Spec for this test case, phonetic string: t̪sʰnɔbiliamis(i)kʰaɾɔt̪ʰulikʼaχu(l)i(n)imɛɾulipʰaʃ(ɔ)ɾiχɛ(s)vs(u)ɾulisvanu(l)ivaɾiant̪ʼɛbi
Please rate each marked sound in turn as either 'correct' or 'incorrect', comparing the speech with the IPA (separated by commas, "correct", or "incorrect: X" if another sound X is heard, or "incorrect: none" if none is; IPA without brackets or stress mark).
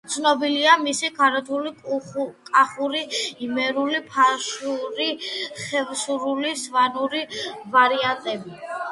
correct, incorrect: ɾ, incorrect: none, incorrect: u, incorrect: none, correct, incorrect: ɾ